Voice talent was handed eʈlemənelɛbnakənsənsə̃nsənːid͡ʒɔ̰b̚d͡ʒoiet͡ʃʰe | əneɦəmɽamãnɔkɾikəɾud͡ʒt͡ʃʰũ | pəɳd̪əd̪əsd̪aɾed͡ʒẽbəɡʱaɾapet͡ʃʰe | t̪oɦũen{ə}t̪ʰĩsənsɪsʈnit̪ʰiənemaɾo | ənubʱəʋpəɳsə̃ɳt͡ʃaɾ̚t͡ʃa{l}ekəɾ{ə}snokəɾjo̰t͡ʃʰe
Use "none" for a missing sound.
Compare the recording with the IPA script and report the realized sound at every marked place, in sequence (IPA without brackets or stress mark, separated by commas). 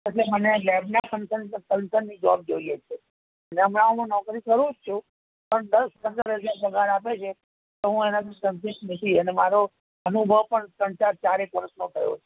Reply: a, ɾ, ə